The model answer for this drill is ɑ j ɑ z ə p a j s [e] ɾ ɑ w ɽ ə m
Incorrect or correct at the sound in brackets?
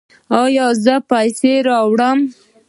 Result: correct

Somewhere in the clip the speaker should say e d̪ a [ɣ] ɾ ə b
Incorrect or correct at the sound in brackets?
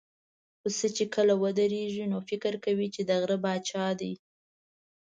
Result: correct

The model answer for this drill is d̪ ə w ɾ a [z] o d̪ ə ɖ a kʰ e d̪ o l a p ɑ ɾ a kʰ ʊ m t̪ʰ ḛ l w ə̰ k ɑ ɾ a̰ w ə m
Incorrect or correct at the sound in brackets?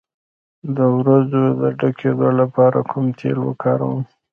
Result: correct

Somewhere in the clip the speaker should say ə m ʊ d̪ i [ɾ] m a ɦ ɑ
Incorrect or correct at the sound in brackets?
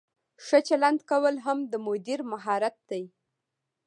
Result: correct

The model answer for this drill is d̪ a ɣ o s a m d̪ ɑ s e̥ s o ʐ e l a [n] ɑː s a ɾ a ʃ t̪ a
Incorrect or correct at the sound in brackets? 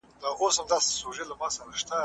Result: incorrect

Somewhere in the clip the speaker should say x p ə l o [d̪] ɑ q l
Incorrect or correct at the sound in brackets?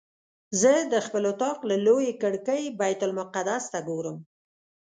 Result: incorrect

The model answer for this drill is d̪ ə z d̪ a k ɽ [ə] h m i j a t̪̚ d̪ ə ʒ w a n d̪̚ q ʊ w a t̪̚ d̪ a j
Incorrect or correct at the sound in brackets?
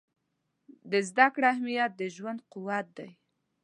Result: incorrect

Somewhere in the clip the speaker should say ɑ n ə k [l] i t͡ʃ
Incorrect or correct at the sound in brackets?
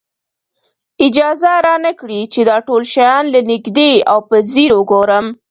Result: incorrect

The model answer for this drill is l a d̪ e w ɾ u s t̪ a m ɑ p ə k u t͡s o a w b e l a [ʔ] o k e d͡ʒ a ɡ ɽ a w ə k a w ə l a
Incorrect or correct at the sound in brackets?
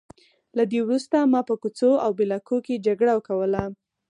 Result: incorrect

